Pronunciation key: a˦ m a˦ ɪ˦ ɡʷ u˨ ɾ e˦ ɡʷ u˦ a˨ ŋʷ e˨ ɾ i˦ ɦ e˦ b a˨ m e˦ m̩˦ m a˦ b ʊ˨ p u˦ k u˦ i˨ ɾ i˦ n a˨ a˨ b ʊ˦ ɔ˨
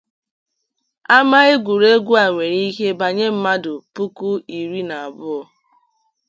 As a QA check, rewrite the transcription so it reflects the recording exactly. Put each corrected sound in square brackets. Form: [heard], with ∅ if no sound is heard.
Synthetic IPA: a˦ m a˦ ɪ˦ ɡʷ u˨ ɾ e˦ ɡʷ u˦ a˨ ŋʷ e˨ ɾ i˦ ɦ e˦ b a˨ [ɲ] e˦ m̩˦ m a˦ [d] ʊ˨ p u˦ k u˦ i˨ ɾ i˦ n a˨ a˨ b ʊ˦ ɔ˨